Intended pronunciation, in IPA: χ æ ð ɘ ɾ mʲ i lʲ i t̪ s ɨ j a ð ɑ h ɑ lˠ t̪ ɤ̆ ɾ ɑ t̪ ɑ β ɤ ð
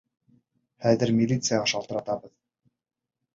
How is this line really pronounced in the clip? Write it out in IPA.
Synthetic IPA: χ æ ð ɘ ɾ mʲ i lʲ i t̪ s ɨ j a ʁ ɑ ʃ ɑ lˠ t̪ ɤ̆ ɾ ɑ t̪ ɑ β ɤ ð